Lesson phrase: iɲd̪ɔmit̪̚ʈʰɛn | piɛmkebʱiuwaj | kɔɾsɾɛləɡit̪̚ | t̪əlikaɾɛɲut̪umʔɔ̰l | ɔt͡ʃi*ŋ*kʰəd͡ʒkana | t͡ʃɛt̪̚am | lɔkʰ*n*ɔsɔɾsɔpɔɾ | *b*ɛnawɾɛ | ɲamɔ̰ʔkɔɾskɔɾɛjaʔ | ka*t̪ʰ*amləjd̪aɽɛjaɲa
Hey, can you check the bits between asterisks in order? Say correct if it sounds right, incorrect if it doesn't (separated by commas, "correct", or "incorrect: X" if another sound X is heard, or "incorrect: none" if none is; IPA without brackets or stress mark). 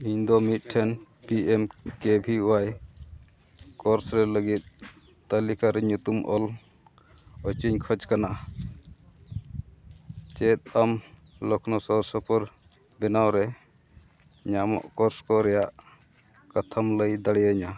incorrect: ɲ, correct, correct, correct